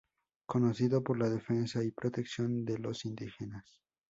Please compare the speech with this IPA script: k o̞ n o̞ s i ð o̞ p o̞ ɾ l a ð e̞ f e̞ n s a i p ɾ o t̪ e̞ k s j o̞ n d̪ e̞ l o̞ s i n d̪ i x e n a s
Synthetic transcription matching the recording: k o̞ n o̞ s i ð o̞ p o̞ ɾ l a ð e̞ f e̞ n s a i p ɾ o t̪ e̞ k s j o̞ n d̪ e̞ l o̞ s i n d̪ i x e n a s